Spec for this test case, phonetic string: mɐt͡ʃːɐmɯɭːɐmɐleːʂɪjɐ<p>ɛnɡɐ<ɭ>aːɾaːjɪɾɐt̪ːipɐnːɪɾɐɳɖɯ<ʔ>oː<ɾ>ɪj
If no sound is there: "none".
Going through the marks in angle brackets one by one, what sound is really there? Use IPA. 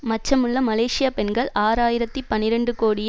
p, ɭ, k, ɽ

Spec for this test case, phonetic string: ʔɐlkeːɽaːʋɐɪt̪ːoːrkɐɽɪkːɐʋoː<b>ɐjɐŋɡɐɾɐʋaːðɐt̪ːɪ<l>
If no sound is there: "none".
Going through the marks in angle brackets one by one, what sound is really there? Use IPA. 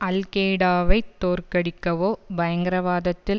b, l

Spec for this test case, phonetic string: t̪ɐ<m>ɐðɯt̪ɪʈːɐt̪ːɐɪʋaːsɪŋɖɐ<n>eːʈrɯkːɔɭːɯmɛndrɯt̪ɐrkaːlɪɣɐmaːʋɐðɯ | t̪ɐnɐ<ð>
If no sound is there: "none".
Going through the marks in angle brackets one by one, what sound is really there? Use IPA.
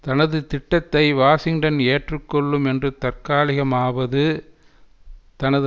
n, n, ð

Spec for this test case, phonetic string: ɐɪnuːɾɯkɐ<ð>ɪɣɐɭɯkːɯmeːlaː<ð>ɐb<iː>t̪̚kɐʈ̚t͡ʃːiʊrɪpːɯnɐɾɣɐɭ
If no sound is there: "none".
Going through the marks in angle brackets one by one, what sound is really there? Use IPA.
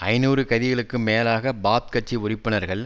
ð, ɣ, aː

